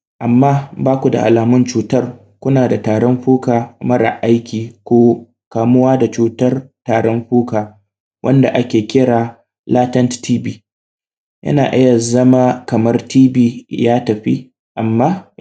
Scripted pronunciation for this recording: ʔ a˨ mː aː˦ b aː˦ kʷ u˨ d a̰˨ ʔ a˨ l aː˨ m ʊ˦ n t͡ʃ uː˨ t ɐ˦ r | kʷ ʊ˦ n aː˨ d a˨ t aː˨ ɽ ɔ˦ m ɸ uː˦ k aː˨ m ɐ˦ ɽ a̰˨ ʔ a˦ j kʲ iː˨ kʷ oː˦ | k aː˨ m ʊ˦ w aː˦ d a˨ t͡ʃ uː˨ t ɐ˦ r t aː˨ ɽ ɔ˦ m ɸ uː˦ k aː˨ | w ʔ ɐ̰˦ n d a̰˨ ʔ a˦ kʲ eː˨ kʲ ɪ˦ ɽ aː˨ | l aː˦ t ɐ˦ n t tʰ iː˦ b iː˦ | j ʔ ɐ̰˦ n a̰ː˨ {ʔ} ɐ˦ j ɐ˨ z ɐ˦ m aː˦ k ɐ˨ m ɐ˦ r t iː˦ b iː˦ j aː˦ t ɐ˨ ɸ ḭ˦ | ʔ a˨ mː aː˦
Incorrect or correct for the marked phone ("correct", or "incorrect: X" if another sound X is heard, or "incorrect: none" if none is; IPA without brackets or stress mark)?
correct